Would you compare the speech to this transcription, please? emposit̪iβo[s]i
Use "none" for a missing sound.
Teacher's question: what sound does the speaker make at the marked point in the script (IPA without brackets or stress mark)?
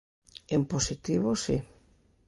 s